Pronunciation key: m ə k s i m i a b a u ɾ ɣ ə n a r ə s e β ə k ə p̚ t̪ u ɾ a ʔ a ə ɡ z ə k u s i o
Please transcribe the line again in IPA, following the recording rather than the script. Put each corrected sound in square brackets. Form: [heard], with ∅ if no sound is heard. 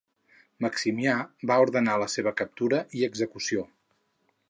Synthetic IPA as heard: m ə k s i m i a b a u ɾ [ð] ə n a [l] ə s e β ə k ə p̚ t̪ u ɾ [ə] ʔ [i] ə ɡ z ə k u s i o